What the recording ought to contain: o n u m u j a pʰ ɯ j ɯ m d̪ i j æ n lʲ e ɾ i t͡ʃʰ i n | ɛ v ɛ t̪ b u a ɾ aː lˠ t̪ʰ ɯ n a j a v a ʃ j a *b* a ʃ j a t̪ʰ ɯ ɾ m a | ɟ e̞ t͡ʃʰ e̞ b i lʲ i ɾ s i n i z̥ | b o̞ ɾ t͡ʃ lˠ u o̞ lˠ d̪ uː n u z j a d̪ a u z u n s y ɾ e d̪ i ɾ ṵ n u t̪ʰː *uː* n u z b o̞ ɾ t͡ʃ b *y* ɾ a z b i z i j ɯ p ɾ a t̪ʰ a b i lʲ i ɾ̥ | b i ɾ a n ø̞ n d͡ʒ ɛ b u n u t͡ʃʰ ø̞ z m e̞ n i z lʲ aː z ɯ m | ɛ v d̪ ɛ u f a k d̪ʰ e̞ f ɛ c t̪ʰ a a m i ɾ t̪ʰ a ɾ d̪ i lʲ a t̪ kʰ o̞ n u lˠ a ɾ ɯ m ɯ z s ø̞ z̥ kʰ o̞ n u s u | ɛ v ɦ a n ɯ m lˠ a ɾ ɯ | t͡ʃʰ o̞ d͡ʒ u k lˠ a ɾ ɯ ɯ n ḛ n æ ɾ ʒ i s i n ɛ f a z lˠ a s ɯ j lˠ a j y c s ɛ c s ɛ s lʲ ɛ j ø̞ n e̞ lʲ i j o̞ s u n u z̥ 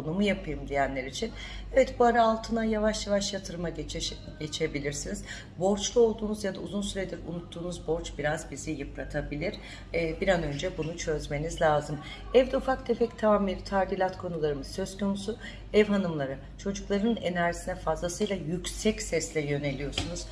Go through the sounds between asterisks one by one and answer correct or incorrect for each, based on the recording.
incorrect, correct, incorrect

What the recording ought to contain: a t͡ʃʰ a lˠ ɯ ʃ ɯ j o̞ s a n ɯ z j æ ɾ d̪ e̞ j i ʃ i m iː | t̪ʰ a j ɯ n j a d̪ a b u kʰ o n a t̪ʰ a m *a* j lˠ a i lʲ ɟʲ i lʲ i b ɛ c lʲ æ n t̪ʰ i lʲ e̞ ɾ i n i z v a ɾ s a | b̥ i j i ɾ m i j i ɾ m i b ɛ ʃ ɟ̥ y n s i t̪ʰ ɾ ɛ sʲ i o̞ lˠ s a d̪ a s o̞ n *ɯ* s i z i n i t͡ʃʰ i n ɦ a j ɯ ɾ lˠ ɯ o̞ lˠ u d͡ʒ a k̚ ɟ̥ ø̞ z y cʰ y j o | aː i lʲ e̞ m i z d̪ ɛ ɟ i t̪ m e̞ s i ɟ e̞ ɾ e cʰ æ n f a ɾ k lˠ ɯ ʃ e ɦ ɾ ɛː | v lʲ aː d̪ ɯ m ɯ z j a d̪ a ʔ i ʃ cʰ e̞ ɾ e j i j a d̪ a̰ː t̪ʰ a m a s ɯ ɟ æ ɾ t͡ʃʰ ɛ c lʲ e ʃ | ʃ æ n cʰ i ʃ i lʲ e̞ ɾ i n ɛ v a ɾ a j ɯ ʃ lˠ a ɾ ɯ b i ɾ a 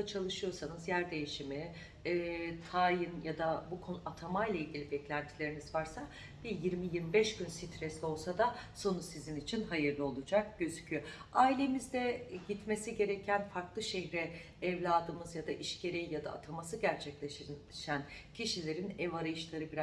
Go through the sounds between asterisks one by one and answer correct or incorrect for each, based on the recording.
correct, incorrect

